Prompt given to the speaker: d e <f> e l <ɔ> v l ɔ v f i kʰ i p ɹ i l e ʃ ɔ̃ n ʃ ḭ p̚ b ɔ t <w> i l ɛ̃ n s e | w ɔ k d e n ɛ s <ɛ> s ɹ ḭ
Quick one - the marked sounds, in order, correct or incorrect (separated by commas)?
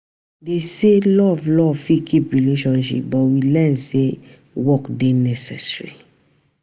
incorrect, correct, correct, correct